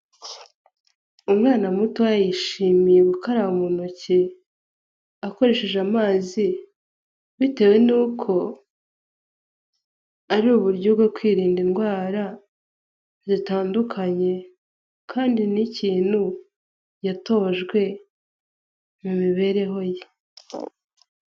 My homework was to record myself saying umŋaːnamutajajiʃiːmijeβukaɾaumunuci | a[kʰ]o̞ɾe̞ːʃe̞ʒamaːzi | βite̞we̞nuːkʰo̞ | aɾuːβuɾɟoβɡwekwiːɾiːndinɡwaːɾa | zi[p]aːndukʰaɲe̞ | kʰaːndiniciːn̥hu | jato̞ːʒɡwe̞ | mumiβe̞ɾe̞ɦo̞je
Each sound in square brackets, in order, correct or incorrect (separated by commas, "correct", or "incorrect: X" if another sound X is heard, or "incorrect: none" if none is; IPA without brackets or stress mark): incorrect: k, incorrect: t